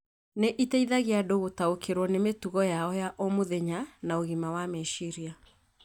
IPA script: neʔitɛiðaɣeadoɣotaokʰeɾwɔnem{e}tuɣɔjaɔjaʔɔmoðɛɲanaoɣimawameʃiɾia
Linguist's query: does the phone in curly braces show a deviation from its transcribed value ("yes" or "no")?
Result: no